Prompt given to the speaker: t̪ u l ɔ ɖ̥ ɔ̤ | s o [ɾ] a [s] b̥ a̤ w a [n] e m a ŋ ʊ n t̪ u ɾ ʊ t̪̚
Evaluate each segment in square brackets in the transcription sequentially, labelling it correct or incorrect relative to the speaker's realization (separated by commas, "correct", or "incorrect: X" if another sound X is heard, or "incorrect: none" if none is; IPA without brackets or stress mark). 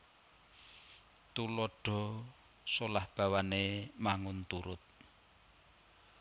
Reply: incorrect: l, incorrect: h, correct